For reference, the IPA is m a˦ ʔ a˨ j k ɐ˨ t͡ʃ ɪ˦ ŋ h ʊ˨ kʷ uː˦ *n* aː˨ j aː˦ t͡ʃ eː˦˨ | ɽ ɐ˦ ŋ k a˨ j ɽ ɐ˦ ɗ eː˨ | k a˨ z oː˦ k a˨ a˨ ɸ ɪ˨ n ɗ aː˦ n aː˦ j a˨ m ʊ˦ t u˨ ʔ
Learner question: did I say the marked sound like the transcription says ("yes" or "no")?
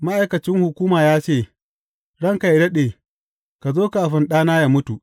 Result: no